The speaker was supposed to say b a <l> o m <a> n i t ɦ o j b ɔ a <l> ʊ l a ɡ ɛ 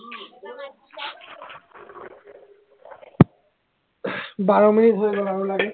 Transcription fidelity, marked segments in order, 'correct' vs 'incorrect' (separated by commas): incorrect, incorrect, incorrect